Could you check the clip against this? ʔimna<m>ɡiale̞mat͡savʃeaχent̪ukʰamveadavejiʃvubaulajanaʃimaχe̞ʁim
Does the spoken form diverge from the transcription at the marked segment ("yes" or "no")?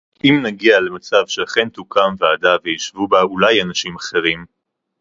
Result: yes